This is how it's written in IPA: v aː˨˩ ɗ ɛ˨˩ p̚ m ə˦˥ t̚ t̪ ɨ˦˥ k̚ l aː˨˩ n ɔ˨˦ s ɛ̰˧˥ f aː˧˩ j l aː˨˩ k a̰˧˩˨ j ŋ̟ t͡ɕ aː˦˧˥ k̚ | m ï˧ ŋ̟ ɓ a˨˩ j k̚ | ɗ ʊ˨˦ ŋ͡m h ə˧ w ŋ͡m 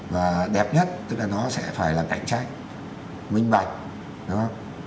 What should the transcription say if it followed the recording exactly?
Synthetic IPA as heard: v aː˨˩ ɗ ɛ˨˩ p̚ ɲ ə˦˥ t̚ t̪ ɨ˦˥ k̚ l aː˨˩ n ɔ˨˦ s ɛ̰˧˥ f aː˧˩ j l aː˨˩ k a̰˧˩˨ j ŋ̟ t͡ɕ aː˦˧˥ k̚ | m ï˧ ŋ̟ ɓ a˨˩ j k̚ | ɗ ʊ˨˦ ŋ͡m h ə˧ w ŋ͡m